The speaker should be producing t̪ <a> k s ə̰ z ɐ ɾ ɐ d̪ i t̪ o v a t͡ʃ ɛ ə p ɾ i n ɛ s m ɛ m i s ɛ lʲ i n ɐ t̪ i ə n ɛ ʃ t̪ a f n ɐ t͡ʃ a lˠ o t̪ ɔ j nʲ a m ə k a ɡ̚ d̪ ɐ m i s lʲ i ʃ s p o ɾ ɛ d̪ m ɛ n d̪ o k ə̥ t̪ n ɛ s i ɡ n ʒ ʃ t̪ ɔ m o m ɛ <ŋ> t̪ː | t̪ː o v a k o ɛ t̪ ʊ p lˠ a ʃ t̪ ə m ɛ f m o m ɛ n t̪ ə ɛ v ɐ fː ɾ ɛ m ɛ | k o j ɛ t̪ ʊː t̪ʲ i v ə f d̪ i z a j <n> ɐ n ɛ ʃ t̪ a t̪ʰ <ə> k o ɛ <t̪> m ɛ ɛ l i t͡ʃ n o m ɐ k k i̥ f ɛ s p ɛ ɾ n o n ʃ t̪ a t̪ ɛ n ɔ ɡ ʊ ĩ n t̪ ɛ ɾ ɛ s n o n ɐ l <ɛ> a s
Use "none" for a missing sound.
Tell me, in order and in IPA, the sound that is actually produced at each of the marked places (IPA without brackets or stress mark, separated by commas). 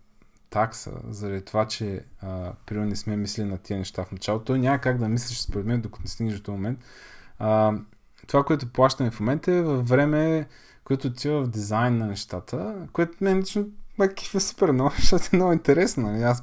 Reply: a, n, nː, ə, t̪, i